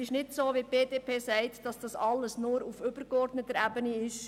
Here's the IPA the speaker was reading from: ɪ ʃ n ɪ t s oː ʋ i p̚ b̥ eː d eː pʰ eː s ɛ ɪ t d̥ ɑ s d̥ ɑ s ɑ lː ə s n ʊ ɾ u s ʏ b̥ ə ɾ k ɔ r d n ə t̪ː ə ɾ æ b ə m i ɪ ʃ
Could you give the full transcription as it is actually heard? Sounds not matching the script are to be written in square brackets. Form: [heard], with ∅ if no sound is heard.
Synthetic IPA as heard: ɪ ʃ n ɪ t s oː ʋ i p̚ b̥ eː d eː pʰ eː s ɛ ɪ t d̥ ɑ s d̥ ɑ s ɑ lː ə s n ʊ ɾ u [f] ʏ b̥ ə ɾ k ɔ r d n ə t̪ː ə ɾ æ b ə [n] i ɪ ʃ

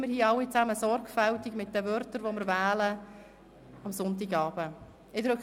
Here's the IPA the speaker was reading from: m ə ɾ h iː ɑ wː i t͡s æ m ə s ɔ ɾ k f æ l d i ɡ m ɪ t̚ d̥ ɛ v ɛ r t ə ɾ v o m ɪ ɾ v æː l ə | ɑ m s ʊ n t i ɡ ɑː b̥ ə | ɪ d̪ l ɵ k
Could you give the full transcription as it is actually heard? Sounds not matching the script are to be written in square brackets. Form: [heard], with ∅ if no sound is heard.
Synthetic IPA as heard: m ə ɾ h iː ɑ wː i t͡s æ m ə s ɔ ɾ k f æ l [t] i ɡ m ɪ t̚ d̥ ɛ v [œ] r t ə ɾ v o m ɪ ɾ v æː l ə | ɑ m s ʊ n t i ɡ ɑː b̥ ə | ɪ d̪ [ɾ] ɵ k

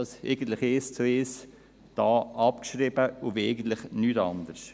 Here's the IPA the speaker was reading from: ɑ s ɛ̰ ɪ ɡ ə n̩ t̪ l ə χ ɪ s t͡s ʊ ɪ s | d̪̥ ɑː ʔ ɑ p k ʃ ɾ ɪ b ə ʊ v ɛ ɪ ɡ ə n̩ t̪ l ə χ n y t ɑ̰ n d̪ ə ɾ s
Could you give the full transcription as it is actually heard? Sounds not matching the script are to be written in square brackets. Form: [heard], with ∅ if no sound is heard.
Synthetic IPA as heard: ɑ s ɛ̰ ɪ ɡ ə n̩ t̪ l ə χ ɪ s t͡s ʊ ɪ s | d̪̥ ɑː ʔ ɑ p k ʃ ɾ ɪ b ə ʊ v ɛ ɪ ɡ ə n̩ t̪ l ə χ n y t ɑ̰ n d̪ ə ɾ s

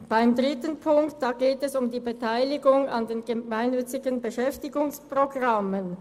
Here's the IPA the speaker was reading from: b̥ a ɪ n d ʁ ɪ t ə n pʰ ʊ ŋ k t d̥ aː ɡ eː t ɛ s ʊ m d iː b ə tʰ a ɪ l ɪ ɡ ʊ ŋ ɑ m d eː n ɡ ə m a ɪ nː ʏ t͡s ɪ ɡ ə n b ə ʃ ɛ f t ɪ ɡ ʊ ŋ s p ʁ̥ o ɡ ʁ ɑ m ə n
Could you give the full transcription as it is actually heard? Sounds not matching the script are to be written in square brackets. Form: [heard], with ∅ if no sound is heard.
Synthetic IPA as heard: b̥ a ɪ [m] d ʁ ɪ t ə n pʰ ʊ ŋ k t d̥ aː ɡ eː t ɛ s ʊ m d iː b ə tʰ a ɪ l ɪ ɡ ʊ ŋ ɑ [n] d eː n ɡ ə m a ɪ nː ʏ t͡s ɪ ɡ ə n b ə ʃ ɛ f t ɪ ɡ ʊ ŋ s p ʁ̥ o ɡ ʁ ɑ m ə n

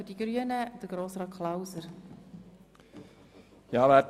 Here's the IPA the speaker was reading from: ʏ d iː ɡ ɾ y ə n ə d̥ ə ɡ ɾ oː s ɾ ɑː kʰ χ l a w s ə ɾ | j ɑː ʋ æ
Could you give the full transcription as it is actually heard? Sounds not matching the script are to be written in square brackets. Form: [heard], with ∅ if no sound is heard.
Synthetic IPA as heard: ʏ d [i] ɡ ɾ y ə n ə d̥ ə ɡ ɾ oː s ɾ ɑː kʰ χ l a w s ə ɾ | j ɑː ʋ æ

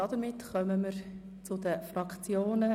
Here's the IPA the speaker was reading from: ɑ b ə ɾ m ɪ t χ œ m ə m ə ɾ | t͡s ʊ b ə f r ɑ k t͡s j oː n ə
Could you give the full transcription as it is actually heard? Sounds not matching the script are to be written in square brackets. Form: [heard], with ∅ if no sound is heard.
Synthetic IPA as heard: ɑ [d] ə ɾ m ɪ t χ œ m ə m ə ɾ | t͡s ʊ [d] ə f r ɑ k t͡s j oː n ə

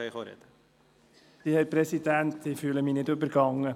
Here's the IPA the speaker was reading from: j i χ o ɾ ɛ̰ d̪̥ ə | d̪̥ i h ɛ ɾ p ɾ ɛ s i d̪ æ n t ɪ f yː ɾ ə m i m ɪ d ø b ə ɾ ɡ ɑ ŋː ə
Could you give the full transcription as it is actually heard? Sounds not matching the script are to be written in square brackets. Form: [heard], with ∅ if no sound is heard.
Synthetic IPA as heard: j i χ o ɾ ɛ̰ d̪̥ ə | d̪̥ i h ɛ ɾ p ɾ ɛ s i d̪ æ n t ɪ f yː [l] ə m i [n] ɪ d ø b ə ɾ ɡ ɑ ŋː ə

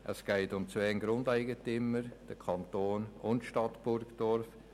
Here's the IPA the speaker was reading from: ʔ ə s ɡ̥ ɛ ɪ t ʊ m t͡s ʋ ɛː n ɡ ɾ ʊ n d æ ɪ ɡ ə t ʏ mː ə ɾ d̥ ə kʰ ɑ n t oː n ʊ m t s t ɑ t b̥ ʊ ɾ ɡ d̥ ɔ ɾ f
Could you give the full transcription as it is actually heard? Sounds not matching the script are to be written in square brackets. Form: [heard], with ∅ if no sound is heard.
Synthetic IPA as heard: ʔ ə s ɡ̥ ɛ ɪ t ʊ m t͡s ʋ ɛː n ɡ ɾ ʊ n d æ ɪ ɡ ə t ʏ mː ə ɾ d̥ ə kʰ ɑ n t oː n ʊ [n] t [ʃ] t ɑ t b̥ ʊ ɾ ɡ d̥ ɔ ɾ f

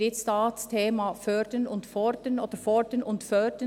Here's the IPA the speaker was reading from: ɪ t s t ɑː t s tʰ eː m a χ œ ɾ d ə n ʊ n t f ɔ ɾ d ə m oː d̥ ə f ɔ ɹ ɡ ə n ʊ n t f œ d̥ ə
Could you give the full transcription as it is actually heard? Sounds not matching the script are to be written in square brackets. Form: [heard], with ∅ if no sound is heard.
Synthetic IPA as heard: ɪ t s t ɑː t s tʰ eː m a [f] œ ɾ d ə n ʊ n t f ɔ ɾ d ə [n] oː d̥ ə f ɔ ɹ [d] ə n ʊ n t f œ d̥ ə

